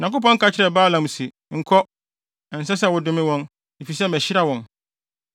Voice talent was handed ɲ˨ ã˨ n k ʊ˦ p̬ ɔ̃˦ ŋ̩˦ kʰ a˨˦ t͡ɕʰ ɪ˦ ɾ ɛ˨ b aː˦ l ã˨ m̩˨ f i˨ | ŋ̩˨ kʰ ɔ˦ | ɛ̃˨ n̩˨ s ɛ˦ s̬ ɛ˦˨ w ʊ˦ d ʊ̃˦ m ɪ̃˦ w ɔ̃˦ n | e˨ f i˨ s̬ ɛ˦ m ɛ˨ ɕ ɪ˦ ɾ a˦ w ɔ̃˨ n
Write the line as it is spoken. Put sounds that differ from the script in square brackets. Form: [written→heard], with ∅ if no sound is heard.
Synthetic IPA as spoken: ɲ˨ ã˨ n k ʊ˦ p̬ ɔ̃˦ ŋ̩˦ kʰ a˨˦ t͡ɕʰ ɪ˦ ɾ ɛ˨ b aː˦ l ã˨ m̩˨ [f→s] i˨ | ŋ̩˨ kʰ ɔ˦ | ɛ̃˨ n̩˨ s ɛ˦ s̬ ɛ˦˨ w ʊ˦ d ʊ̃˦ m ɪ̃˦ w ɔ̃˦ n | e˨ f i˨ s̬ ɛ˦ m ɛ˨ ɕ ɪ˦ ɾ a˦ w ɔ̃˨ n

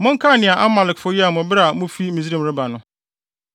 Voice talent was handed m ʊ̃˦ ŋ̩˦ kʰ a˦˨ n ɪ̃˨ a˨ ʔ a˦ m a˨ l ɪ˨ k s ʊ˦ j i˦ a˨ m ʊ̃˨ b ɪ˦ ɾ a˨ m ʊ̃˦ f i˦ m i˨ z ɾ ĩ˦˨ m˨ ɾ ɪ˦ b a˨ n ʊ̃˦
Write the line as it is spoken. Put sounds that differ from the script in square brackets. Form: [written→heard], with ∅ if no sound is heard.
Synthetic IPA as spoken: m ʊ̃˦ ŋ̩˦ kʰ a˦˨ n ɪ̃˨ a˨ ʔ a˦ m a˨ l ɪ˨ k [s→f] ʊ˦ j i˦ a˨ m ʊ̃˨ b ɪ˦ ɾ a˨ m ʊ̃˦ f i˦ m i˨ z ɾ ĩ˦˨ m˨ ɾ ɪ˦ b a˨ n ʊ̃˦

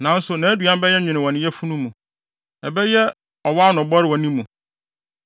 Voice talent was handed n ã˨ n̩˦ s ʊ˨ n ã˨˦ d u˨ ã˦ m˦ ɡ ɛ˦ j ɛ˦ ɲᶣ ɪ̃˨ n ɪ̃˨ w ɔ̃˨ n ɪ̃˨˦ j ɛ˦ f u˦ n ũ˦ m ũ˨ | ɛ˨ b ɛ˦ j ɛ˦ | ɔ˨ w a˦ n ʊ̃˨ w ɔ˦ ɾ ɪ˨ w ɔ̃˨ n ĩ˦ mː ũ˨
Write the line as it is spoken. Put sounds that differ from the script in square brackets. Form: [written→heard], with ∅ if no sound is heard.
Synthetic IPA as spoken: n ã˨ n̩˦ s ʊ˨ n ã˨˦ d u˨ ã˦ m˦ [ɡ→b] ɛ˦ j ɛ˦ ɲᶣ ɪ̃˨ n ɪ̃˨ w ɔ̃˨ n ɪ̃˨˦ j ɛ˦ f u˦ n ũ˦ m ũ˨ | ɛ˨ b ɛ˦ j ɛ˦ | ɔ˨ w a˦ n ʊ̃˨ [w→b] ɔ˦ ɾ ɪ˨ w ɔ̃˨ n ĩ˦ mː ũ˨

